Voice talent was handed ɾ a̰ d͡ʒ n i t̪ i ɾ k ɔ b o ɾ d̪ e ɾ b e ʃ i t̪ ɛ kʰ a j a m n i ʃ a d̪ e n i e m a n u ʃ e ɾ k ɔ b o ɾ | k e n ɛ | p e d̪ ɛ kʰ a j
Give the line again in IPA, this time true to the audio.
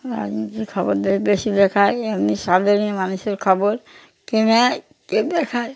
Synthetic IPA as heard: ɾ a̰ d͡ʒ n i t̪ i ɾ kʰ ɔ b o ɾ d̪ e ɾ b e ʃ i d̪ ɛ kʰ a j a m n i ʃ a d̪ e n i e m a n u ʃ e ɾ kʰ ɔ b o ɾ | k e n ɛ | k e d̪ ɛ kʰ a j